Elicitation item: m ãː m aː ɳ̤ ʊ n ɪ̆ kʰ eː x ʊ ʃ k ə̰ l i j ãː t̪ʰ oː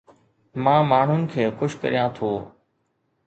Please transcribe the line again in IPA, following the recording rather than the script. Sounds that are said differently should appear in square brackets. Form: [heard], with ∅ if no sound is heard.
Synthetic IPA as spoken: m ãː m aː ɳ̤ ʊ n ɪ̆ kʰ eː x ʊ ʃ k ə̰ [ɾ] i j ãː t̪ʰ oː